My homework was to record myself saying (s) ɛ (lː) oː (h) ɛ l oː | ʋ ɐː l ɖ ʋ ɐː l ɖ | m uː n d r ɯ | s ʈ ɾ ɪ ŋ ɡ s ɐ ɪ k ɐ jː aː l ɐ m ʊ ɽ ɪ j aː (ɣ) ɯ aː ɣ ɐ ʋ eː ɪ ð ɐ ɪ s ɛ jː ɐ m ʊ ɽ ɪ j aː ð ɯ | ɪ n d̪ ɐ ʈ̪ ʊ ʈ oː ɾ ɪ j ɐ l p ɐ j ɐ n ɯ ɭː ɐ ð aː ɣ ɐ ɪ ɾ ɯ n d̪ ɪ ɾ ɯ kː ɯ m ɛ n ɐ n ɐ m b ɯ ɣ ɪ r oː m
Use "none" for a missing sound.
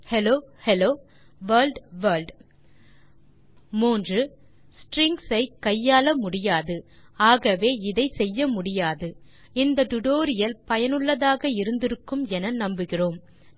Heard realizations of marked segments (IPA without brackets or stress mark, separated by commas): h, l, h, ð